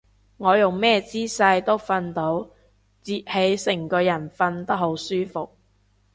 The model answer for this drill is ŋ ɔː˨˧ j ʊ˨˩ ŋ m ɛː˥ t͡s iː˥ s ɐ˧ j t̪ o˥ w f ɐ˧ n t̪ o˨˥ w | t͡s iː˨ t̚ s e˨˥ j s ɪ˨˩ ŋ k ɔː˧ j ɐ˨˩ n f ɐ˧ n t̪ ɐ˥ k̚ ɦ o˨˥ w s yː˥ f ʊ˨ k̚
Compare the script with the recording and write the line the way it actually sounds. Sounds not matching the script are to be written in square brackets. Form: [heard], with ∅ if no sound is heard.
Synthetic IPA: ŋ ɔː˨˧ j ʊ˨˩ ŋ m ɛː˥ t͡s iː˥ s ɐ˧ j t̪ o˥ w f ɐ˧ n t̪ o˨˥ w | t͡s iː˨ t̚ [h] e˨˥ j s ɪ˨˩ ŋ k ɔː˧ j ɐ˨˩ n f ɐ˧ n t̪ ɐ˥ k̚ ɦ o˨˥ w s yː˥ f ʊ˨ k̚